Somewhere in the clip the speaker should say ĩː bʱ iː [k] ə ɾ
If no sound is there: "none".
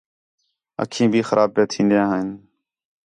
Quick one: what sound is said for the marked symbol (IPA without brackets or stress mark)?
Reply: x